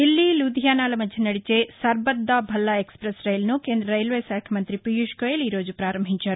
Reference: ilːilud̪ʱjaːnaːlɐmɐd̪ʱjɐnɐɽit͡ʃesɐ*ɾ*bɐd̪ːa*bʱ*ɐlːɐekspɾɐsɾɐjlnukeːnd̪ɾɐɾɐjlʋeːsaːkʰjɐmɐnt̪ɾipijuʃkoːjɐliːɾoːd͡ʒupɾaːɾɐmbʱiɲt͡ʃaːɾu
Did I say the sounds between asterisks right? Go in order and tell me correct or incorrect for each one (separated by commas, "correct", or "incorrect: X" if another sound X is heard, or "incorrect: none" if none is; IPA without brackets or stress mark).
correct, correct